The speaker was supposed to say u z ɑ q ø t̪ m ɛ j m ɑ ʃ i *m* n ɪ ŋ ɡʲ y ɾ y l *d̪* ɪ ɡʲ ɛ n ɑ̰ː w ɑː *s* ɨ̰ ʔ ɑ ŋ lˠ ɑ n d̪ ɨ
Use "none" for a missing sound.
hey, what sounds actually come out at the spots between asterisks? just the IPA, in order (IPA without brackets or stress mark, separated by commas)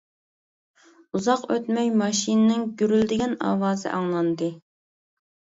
n, d̪, z